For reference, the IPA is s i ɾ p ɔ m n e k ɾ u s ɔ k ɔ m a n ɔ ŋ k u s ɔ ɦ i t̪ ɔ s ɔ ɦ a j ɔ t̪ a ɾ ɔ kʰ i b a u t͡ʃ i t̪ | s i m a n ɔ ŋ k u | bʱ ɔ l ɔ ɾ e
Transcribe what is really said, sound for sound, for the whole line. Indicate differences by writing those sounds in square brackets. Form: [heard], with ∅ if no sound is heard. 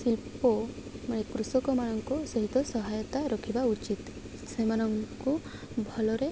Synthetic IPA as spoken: s i [l] p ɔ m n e k ɾ u s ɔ k ɔ m a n ɔ ŋ k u s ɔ ɦ i t̪ ɔ s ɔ ɦ a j ɔ t̪ a ɾ ɔ kʰ i b a u t͡ʃ i t̪ | s [e] m a n ɔ ŋ k u | bʱ ɔ l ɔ ɾ e

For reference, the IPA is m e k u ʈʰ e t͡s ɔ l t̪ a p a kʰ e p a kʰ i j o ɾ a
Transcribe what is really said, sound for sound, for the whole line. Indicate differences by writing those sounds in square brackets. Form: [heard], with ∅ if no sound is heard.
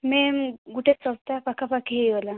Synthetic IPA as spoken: m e [ɡ] u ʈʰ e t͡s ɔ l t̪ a p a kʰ [a] p a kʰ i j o [l] a

